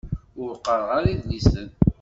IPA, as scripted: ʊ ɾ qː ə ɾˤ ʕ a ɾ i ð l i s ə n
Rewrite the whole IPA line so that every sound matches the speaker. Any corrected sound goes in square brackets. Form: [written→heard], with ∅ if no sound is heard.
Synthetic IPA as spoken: ʊ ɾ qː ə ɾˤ [ʕ→ʁ] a ɾ i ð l i s ə n